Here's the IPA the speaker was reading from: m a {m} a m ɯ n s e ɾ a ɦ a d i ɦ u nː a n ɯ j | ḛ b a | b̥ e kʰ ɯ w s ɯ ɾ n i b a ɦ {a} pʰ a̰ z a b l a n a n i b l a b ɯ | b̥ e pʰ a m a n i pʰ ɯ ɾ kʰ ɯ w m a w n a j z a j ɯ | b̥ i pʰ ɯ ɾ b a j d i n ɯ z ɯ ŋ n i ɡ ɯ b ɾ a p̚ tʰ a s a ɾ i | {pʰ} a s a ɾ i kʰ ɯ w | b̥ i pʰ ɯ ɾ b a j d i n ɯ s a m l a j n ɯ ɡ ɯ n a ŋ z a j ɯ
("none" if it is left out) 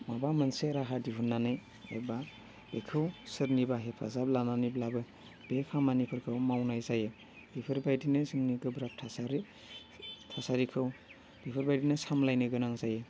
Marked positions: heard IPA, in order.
b, e, tʰ

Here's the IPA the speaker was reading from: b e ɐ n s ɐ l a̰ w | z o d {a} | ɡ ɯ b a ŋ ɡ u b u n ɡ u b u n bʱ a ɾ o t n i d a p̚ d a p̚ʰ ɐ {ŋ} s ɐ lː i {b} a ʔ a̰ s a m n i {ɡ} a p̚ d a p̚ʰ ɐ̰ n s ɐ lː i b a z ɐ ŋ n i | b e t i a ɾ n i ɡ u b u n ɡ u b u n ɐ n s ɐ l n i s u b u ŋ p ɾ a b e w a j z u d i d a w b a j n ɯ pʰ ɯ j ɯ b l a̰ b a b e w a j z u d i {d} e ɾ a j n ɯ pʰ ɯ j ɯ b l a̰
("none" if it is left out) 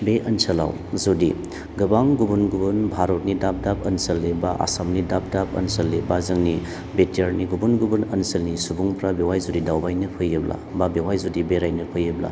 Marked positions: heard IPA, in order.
i, n, b, d, b

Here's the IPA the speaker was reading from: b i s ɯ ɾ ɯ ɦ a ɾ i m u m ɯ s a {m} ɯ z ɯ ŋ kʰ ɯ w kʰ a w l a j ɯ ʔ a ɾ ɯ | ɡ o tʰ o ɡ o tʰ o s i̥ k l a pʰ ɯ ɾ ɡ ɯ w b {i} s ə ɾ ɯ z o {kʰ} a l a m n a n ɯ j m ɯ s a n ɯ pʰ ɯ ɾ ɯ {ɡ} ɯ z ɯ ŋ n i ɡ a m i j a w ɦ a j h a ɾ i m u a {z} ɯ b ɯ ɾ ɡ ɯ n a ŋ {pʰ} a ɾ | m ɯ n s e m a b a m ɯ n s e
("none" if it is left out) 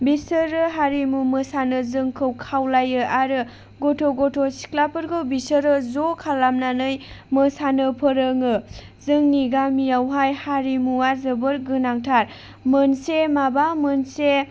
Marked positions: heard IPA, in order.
n, i, kʰ, ŋ, z, tʰ

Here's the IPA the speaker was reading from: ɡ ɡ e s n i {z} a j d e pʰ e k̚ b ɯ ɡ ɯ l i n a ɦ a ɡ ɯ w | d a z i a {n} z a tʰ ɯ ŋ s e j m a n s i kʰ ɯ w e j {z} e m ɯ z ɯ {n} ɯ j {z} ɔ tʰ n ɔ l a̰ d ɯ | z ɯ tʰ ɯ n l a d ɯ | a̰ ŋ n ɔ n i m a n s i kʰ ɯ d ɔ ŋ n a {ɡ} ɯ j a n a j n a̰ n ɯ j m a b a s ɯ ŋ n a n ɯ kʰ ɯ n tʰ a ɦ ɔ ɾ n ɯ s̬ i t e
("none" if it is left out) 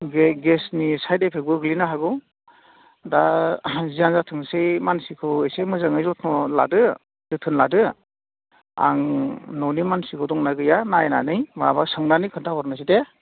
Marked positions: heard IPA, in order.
s, n, s, ŋ, z, ɡ

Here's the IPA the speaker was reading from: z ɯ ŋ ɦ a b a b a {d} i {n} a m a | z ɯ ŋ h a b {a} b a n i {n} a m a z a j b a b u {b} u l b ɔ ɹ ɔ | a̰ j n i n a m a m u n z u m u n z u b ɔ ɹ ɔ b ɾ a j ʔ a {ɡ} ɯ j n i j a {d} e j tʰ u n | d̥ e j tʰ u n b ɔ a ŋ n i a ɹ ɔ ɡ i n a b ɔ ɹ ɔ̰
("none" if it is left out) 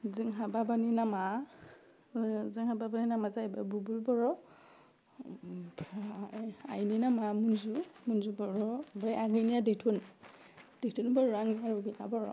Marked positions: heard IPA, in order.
n, n, a, n, b, ɡ, d

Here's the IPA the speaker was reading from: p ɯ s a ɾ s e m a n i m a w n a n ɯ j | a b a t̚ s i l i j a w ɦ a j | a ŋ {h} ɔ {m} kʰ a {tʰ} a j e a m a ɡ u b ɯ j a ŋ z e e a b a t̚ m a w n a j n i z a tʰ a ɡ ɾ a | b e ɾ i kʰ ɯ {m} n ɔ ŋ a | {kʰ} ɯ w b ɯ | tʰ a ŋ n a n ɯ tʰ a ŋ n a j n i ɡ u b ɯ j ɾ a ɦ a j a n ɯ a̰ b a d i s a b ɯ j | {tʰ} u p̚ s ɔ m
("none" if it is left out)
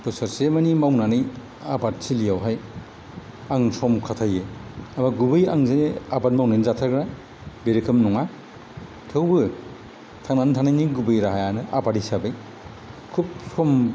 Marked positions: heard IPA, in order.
s, m, tʰ, m, tʰ, kʰ

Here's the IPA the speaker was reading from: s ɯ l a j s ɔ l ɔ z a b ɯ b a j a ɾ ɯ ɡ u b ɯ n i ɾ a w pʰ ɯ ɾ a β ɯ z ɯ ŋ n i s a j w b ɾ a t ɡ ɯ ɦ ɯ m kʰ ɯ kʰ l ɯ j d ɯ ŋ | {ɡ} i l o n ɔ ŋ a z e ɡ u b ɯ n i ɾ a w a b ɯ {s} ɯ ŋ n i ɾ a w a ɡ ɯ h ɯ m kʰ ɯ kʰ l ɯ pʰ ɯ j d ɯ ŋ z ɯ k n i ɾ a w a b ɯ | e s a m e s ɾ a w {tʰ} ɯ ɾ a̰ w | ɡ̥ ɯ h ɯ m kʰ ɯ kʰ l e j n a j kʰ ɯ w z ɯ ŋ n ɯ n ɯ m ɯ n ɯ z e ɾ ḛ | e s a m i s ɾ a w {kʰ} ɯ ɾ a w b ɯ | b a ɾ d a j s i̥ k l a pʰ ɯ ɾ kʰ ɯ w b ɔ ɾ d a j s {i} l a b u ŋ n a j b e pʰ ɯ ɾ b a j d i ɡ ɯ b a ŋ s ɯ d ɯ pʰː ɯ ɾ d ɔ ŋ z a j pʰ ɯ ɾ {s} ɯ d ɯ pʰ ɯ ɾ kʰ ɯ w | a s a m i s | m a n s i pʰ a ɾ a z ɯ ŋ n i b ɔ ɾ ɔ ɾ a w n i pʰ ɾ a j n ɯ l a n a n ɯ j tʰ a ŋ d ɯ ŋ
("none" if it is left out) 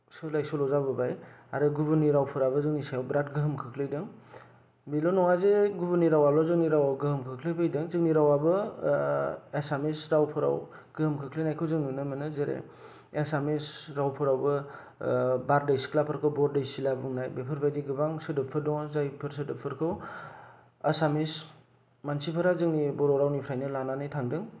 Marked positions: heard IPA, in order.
b, z, pʰ, pʰ, i, s

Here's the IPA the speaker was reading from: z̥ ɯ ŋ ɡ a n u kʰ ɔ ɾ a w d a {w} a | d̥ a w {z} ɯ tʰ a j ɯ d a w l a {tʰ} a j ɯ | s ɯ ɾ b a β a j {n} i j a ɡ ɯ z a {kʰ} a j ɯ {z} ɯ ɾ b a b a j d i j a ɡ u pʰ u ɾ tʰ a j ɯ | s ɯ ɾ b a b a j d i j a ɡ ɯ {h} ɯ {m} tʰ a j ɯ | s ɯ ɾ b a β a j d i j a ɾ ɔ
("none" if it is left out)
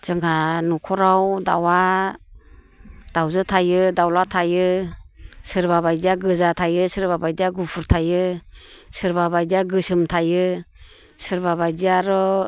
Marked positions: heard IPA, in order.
w, z, tʰ, d, tʰ, s, s, m

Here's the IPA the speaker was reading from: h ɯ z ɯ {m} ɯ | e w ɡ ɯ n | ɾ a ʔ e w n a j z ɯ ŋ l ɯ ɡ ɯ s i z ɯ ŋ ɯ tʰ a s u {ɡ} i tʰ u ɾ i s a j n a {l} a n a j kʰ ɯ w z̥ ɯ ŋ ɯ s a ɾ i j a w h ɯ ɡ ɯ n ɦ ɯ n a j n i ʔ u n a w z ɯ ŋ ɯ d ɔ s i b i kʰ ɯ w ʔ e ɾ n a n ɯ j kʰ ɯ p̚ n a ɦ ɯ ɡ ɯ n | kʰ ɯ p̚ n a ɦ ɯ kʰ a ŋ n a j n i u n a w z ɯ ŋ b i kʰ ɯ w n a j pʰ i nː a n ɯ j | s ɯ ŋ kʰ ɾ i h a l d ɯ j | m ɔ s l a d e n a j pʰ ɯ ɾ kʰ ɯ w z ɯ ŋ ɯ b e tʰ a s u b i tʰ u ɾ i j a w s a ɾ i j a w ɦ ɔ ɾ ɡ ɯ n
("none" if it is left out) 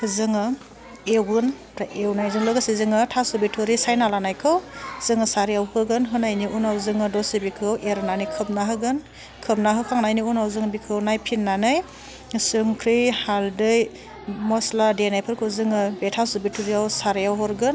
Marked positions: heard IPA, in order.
ŋ, b, l

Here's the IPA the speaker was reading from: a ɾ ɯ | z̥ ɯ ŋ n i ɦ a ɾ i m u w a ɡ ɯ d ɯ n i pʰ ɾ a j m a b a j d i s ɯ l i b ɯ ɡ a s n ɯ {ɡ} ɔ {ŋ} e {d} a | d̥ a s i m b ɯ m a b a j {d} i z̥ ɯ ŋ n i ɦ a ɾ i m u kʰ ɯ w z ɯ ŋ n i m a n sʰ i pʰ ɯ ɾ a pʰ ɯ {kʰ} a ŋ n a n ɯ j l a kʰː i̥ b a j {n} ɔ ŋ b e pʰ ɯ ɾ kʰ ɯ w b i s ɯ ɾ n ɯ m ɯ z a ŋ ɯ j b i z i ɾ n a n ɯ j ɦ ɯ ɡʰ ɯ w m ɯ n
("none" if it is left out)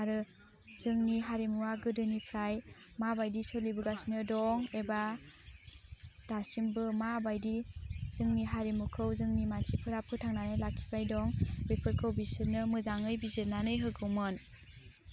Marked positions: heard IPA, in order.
d, ŋ, b, d, tʰ, d

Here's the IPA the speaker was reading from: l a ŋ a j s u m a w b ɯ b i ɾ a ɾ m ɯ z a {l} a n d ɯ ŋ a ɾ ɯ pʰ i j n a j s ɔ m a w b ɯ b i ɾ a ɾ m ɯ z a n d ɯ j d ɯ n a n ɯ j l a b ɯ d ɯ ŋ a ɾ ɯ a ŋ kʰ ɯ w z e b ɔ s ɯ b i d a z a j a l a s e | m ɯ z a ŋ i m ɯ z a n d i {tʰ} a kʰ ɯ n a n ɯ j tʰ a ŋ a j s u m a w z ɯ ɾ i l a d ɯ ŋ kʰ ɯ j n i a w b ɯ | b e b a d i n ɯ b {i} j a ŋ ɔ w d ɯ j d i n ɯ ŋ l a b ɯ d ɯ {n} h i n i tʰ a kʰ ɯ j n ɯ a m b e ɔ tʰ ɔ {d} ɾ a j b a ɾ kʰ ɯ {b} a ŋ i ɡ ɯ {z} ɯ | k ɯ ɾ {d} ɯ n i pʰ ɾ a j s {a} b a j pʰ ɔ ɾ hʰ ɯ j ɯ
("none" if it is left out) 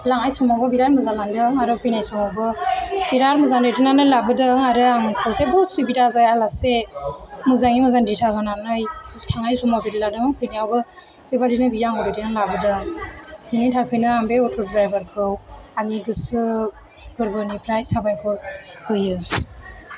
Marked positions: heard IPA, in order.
l, tʰ, i, ŋ, d, w, s, b, a

